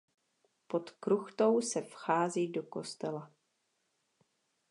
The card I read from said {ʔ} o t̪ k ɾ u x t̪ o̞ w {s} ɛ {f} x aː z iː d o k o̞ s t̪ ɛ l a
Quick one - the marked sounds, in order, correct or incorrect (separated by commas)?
incorrect, correct, correct